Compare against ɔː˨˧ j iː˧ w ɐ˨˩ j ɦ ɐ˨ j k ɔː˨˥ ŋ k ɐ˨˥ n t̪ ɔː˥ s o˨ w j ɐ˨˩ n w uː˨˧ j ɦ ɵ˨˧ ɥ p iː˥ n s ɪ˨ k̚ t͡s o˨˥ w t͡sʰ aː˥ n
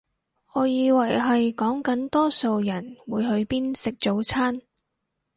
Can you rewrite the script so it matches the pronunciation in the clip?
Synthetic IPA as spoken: ɔː˨˧ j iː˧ w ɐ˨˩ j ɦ ɐ˨ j k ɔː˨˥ ŋ k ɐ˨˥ n t̪ ɔː˥ s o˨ w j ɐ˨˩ n w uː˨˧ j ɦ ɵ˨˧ ɥ p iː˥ n s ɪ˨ k̚ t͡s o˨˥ w t͡sʰ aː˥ n